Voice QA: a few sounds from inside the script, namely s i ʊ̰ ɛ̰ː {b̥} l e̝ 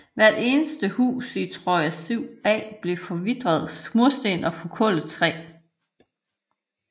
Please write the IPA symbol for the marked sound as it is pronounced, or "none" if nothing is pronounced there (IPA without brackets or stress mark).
b̥